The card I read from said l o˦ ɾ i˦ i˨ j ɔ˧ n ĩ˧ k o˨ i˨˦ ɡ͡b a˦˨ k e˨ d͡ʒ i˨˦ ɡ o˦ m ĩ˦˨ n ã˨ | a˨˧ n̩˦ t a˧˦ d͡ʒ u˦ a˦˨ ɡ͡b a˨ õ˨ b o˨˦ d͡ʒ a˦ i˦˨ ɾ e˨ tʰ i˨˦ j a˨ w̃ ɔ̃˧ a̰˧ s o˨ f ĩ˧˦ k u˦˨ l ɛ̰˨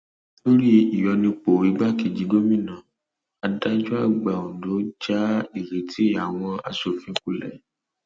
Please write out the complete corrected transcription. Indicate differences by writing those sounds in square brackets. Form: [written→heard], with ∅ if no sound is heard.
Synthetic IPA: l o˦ ɾ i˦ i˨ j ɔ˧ n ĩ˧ [k→k͡p] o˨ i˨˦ ɡ͡b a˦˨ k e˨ d͡ʒ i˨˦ ɡ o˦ m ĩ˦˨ n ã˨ | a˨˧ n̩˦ t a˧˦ d͡ʒ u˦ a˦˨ ɡ͡b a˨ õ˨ [b→d] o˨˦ d͡ʒ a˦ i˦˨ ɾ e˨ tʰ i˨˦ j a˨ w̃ ɔ̃˧ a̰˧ s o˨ f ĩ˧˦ k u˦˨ l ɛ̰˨